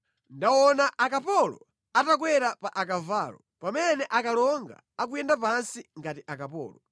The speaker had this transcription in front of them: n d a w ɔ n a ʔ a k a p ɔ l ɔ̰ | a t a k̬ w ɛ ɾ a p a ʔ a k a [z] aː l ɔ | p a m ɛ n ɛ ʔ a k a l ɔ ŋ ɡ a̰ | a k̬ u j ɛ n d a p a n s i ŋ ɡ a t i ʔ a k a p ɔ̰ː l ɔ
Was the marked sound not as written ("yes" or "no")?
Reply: yes